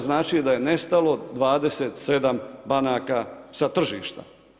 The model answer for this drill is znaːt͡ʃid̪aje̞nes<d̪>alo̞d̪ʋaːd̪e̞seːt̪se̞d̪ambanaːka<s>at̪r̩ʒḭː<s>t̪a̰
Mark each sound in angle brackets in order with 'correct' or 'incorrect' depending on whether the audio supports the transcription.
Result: incorrect, correct, incorrect

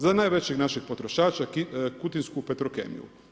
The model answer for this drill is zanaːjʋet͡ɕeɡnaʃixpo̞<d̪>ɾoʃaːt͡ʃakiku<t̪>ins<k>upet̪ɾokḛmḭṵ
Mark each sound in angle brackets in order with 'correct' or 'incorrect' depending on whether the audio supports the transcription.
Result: incorrect, correct, correct

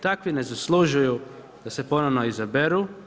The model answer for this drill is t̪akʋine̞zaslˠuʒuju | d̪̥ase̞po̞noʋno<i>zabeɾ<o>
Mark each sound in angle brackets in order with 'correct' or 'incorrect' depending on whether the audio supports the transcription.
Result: correct, incorrect

